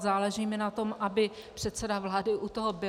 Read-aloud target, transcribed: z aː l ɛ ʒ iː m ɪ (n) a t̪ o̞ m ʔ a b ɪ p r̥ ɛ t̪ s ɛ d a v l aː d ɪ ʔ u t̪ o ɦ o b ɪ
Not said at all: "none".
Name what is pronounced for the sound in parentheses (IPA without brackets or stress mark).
n